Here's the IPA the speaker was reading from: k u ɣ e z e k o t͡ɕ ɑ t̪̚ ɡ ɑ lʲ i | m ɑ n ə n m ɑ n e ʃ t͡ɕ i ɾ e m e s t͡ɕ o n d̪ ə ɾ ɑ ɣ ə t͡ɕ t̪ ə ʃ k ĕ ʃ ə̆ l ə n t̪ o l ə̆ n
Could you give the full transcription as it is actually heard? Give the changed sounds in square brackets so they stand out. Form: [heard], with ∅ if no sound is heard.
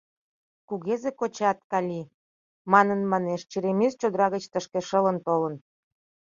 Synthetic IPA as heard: k u ɣ e z e k o t͡ɕ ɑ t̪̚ [k] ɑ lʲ i | m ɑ n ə n m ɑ n e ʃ t͡ɕ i ɾ e m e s t͡ɕ o [∅] d̪ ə ɾ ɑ ɣ ə t͡ɕ t̪ ə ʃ k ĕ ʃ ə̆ l ə n t̪ o l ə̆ n

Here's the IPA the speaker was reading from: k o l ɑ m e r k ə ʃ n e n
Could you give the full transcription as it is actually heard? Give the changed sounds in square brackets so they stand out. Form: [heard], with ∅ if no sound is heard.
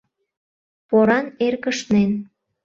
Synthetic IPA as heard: [p] o [ɾ] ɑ [n] e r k ə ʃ n e n

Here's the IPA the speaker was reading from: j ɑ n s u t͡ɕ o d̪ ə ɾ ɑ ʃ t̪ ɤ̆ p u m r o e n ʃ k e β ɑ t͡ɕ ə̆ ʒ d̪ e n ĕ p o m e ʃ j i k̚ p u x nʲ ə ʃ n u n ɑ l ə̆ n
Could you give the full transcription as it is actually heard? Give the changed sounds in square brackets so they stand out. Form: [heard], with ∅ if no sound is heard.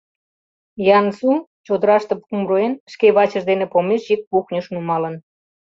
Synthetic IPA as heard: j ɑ n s u t͡ɕ o d̪ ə ɾ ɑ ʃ t̪ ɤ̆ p u m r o e n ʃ k e β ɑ t͡ɕ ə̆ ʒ d̪ e n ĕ p o m e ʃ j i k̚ p u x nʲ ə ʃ n u [m] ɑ l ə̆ n

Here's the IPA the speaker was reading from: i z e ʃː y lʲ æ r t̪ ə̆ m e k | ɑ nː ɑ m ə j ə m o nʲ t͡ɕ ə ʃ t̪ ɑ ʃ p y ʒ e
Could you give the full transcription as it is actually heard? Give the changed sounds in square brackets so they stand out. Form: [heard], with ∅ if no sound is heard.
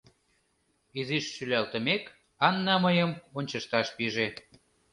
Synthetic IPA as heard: i z [i] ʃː y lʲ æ [l] t̪ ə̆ m e k | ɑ nː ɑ m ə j ə m o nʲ t͡ɕ ə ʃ t̪ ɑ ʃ p [i] ʒ e

